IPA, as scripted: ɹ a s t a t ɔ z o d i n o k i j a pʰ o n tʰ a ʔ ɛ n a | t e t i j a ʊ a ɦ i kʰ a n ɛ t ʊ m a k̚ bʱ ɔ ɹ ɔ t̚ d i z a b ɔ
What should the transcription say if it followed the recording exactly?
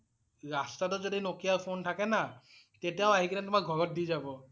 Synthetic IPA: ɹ a s t a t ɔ z o d i n o k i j a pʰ o n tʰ a k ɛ n a | t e t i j a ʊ a ɦ i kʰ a n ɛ t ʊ m a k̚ ɡʱ ɔ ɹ ɔ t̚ d i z a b ɔ